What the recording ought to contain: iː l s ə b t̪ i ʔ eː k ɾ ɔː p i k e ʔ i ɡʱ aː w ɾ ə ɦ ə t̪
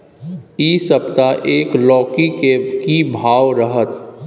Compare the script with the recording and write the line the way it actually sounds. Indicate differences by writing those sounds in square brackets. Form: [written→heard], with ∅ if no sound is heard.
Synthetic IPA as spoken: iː [l→∅] s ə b t̪ [i→a] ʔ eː k [ɾ→l] ɔː [p→k] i k e [ʔ→k] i [ɡʱ→bʱ] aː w ɾ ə ɦ ə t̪